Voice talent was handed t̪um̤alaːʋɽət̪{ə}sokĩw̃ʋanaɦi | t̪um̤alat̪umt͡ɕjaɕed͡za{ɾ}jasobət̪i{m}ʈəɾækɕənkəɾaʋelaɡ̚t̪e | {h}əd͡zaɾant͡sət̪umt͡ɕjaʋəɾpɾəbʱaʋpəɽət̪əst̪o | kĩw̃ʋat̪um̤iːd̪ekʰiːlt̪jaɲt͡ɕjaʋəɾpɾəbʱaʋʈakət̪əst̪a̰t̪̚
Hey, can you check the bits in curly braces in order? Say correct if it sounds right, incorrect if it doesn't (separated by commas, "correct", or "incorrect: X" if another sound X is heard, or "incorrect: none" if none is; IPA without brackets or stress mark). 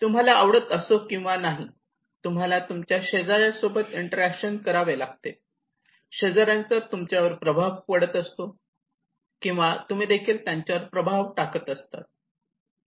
correct, correct, incorrect: ɳ, incorrect: ɕ